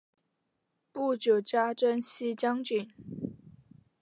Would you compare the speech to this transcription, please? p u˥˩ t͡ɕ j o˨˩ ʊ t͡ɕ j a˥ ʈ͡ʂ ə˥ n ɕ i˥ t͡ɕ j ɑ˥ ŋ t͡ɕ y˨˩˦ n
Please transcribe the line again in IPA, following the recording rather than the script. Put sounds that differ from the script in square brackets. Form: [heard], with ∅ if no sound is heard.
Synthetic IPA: p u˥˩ t͡ɕ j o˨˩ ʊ t͡ɕ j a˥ ʈ͡ʂ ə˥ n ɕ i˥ t͡ɕ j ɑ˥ ŋ t͡ɕ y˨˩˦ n